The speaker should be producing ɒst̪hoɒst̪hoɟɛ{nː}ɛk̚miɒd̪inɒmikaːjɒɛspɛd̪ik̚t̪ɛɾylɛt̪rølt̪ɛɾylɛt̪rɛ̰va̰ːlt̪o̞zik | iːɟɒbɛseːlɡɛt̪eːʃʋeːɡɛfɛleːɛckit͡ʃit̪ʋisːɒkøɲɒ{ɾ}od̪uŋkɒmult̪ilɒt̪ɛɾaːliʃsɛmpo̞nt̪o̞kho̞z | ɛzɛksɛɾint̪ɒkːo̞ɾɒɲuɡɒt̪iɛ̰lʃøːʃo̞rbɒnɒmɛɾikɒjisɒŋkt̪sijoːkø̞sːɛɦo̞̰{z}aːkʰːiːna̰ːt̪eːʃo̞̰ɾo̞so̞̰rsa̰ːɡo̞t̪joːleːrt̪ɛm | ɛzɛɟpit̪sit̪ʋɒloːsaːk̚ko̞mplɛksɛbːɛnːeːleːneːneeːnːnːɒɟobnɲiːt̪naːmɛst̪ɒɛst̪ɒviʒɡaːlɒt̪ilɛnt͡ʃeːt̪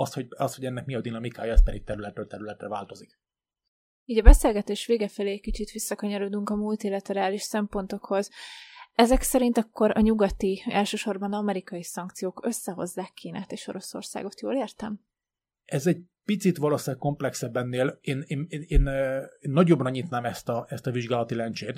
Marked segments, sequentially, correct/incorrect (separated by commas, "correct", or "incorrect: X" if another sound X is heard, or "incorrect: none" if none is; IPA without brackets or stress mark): correct, correct, incorrect: zː